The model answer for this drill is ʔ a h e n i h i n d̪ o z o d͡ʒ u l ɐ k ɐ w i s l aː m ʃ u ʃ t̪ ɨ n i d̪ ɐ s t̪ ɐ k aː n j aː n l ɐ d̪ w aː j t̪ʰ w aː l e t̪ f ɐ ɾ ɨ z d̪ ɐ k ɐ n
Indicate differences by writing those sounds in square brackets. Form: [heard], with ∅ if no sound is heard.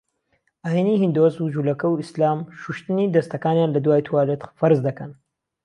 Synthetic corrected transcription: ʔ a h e n i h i n d̪ o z [u] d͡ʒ u l ɐ k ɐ w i s l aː m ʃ u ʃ t̪ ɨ n i d̪ ɐ s t̪ ɐ k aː n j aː n l ɐ d̪ w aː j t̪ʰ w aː l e t̪ f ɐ ɾ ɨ z d̪ ɐ k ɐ n